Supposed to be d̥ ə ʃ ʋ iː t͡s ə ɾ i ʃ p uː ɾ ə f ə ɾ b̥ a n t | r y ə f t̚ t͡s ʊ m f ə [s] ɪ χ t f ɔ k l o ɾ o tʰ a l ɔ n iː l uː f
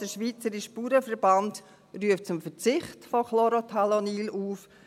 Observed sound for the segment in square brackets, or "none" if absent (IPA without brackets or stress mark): t͡s